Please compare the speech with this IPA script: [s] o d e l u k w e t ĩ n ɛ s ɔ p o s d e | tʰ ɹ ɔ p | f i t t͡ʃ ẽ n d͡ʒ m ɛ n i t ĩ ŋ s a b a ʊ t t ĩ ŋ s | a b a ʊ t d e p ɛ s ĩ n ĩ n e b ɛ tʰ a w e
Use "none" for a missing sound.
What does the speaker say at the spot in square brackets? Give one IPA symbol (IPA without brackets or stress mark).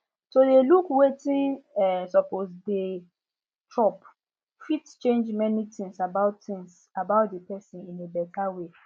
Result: s